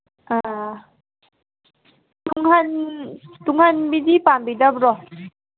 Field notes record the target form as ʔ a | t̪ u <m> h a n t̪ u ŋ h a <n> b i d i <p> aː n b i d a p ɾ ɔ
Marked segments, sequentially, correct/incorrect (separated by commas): incorrect, correct, correct